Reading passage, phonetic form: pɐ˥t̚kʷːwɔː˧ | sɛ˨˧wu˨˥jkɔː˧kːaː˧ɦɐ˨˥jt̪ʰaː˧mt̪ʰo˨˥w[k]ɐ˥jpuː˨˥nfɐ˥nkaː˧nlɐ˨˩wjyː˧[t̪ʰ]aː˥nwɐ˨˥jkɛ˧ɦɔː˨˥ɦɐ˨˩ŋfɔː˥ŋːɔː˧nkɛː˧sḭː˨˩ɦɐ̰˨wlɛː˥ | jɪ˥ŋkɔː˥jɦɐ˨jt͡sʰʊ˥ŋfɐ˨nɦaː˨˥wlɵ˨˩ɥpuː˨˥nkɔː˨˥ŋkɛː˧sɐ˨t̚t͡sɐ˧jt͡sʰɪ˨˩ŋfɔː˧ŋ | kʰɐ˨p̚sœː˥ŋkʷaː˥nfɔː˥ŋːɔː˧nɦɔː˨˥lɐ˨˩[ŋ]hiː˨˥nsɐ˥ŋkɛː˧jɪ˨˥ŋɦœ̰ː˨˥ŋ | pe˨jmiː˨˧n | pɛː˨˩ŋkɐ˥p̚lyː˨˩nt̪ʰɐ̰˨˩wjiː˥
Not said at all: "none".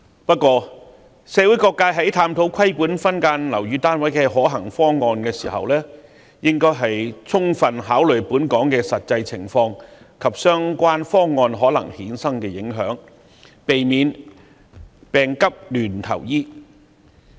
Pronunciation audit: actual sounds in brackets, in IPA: kʰ, t̪, ŋ

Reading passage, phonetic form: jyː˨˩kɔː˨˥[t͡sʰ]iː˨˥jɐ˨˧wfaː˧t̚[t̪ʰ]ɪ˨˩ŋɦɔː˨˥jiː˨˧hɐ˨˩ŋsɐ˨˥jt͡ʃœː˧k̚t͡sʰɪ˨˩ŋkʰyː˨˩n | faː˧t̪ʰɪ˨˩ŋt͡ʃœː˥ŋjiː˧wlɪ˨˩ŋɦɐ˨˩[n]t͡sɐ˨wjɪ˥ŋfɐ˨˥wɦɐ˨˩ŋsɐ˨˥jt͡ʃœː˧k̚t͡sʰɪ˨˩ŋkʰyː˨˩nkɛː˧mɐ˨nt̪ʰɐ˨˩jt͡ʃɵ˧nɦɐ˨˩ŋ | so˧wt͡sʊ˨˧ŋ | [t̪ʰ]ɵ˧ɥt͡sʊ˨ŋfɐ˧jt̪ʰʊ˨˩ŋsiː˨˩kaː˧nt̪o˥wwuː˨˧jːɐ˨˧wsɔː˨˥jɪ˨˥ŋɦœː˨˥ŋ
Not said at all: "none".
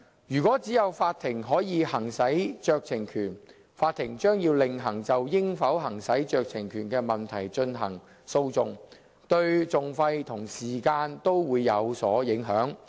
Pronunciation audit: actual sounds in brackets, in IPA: t͡s, t̪ʰ, ŋ, t̪

